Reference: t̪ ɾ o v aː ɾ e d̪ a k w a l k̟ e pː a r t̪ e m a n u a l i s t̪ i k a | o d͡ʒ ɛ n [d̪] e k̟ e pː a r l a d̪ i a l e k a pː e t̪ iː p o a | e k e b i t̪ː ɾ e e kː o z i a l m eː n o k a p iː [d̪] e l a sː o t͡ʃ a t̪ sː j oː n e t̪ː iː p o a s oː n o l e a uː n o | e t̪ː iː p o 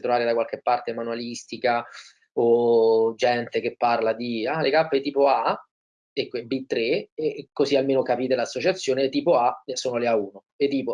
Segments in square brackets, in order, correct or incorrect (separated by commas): incorrect, incorrect